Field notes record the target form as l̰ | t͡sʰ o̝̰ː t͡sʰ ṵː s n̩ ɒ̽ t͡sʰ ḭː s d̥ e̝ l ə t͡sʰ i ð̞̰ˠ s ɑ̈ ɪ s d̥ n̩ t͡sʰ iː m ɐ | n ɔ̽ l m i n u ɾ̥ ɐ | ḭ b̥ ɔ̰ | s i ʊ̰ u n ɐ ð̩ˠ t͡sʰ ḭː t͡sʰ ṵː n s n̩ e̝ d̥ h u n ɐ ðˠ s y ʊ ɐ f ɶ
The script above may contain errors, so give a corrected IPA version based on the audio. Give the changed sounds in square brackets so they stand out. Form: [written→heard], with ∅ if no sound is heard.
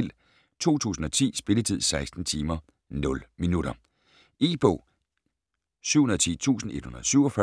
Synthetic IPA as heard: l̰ | t͡sʰ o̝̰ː t͡sʰ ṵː s n̩ ɒ̽ t͡sʰ ḭː s [d̥→b̥] e̝ l ə t͡sʰ i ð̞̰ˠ s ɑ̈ ɪ s d̥ n̩ t͡sʰ iː m ɐ | n ɔ̽ l m i n u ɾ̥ ɐ | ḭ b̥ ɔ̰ | s [i→y] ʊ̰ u n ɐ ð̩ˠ t͡sʰ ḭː t͡sʰ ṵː [n→∅] s n̩ e̝ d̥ h u n ɐ ðˠ s y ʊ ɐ f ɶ